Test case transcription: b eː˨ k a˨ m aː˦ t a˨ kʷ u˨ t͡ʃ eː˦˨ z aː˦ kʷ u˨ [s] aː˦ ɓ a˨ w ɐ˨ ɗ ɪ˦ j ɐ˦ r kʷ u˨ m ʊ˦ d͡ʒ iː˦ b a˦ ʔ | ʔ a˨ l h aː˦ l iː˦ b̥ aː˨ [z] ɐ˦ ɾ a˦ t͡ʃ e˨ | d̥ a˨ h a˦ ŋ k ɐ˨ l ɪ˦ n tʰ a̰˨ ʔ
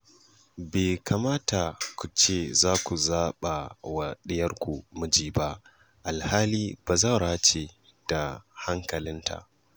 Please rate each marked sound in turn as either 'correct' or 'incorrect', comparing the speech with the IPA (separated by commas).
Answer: incorrect, correct